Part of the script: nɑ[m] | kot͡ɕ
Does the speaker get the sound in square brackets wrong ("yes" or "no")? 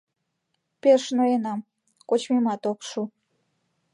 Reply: no